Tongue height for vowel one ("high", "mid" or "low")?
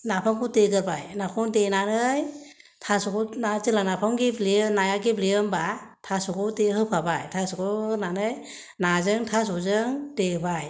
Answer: low